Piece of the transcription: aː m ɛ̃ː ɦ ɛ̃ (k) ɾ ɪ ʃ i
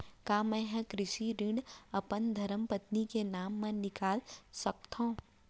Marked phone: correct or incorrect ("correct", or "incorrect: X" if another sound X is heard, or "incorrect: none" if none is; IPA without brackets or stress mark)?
correct